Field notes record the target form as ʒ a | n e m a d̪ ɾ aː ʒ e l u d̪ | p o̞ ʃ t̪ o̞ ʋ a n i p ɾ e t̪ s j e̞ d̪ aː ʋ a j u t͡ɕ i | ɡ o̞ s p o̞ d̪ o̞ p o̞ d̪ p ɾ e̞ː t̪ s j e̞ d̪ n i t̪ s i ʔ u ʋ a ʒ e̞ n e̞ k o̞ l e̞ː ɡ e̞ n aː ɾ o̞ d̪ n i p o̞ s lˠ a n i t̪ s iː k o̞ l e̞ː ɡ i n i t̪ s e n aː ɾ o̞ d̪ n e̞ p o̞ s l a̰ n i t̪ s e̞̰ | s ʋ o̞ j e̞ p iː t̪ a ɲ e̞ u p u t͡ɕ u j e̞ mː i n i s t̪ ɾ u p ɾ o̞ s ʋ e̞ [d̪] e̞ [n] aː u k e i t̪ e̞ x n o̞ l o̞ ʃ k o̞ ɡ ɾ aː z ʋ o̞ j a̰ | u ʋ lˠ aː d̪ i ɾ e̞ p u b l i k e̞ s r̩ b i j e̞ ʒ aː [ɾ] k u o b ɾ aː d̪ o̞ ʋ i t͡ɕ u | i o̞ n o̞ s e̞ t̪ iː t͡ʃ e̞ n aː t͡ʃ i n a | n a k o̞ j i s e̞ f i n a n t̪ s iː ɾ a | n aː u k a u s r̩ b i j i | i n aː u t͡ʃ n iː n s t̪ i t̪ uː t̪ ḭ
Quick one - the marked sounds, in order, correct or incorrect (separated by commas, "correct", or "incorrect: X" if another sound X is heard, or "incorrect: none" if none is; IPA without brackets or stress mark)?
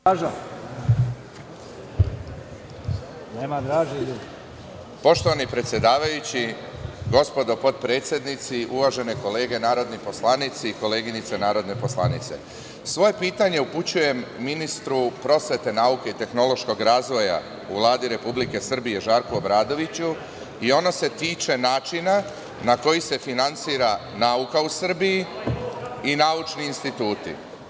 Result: incorrect: t̪, correct, correct